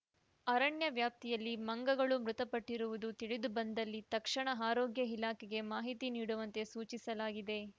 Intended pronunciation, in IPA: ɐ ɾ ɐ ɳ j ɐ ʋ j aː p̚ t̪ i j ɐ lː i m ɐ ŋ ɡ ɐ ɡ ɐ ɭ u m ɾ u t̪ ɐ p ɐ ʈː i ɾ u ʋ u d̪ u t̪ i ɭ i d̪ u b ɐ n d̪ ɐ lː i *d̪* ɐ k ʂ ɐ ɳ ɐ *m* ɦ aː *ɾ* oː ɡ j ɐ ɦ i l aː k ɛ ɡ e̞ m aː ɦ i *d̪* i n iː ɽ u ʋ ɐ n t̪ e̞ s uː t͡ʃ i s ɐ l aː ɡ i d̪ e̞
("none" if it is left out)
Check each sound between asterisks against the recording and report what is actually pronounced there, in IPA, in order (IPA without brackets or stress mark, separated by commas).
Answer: t̪, none, ɾ, t̪